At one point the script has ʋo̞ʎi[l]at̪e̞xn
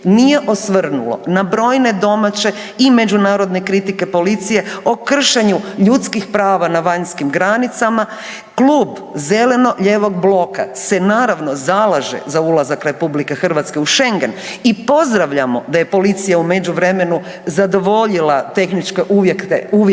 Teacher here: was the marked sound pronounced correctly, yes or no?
yes